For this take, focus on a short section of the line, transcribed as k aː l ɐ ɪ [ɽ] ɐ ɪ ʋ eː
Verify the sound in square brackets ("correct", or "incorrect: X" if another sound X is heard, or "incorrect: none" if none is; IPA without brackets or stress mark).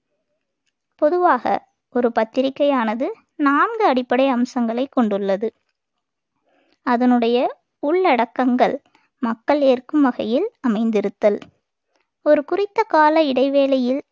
correct